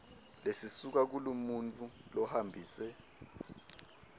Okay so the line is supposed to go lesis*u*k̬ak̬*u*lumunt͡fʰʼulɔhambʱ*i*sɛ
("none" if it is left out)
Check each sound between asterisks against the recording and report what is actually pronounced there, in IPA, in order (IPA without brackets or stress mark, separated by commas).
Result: u, u, iː